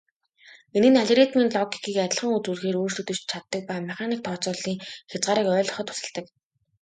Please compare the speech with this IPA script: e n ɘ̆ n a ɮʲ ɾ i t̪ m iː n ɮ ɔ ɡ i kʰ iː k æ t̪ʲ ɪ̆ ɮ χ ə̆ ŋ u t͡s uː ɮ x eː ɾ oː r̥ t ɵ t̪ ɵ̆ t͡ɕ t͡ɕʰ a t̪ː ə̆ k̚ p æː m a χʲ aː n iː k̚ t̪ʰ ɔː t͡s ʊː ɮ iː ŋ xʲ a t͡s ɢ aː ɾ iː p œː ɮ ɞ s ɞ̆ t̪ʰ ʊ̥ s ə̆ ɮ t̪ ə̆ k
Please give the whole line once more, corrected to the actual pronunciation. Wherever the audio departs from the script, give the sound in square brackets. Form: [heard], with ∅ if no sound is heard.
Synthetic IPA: e n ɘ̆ n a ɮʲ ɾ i t̪ m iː n ɮ ɔ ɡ i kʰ iː k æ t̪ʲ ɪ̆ ɮ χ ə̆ ŋ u t͡s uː ɮ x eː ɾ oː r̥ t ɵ t̪ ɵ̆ t͡ɕ t͡ɕʰ a t̪ː ə̆ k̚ p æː m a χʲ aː n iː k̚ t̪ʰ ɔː t͡s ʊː ɮ iː ŋ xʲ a t͡s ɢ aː ɾ iː [k] œː ɮ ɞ [χ] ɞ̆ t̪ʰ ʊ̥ s ə̆ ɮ t̪ ə̆ k